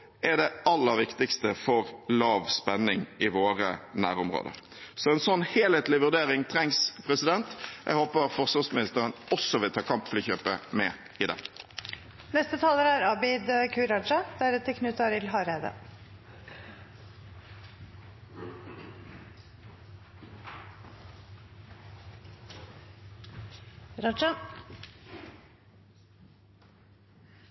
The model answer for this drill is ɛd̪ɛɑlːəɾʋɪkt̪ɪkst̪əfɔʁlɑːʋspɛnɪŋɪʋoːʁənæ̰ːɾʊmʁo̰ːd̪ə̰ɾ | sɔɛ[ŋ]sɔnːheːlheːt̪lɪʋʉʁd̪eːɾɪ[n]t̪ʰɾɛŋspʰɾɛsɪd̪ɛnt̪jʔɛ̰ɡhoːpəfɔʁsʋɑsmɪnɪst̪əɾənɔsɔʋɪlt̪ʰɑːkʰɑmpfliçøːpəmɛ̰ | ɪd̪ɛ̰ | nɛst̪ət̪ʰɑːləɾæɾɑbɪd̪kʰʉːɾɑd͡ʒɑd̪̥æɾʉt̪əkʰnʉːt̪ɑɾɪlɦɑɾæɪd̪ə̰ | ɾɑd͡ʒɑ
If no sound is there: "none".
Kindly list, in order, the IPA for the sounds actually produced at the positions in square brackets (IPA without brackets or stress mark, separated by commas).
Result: n, ŋ